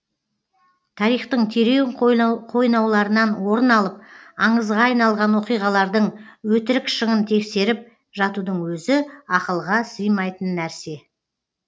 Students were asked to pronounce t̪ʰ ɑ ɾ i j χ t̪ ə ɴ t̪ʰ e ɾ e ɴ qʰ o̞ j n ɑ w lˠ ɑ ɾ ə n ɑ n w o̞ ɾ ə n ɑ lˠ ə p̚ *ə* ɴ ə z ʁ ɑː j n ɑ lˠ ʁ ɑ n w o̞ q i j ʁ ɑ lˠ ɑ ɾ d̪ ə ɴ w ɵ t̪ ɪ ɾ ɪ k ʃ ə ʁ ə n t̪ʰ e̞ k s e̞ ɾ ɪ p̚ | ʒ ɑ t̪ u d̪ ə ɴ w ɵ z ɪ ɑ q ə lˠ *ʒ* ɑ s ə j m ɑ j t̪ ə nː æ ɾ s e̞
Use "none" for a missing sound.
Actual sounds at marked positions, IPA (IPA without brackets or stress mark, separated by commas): ɑ, ʁ